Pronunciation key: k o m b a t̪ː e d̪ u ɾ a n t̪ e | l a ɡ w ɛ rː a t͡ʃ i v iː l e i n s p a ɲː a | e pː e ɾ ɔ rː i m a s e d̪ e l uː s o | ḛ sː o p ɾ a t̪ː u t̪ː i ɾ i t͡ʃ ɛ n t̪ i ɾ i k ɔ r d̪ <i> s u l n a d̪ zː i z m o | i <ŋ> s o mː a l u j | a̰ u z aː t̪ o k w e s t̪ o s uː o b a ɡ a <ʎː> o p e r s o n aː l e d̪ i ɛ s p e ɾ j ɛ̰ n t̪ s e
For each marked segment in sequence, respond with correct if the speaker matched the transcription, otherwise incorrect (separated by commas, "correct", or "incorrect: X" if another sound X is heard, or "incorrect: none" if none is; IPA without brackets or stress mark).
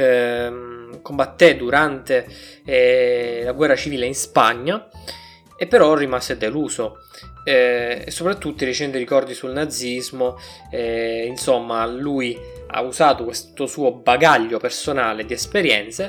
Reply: correct, incorrect: n, correct